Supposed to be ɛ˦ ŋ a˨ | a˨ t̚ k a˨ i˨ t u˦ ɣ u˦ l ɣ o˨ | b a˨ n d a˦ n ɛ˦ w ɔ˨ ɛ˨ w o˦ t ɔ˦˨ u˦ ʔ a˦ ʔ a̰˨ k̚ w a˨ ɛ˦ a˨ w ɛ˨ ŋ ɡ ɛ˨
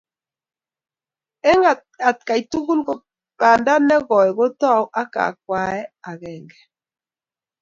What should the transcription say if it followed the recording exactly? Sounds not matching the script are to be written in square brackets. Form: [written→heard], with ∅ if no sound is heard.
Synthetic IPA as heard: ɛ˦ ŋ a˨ | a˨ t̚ k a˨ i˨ t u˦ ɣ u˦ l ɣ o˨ | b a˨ n d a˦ n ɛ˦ [w→ɣ] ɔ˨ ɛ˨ [w→ɣ] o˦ t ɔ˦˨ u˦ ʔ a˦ [ʔ→k] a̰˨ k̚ w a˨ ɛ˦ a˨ [w→ɣ] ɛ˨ ŋ ɡ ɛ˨